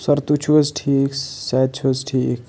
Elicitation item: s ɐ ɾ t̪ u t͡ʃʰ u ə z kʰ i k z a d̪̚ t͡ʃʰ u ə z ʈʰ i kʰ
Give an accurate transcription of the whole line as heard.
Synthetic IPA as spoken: s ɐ ɾ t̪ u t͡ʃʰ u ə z ʈʰ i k s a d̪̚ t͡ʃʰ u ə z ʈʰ i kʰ